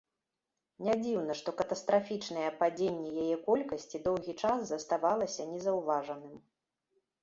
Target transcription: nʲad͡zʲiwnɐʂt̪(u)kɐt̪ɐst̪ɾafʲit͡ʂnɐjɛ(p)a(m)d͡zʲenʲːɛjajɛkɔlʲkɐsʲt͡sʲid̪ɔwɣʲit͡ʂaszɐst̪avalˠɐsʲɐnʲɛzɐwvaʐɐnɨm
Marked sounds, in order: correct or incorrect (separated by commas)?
incorrect, correct, incorrect